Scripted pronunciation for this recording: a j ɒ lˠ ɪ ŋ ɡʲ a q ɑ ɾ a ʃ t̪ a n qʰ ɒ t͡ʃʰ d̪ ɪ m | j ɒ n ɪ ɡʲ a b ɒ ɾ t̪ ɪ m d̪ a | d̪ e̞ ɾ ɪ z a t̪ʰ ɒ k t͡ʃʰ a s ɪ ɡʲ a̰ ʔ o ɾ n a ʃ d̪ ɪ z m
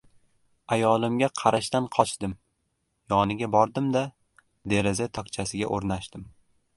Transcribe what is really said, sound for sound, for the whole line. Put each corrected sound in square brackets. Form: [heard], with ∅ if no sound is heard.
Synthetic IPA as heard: a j ɒ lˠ ɪ [m] ɡʲ a [qʰ] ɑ ɾ a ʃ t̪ a n qʰ ɒ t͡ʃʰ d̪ ɪ m | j ɒ n ɪ ɡʲ a b ɒ ɾ [d̪] ɪ m d̪ a | d̪ e̞ ɾ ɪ z a t̪ʰ ɒ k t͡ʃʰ a s ɪ ɡʲ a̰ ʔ o ɾ n a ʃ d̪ ɪ [∅] m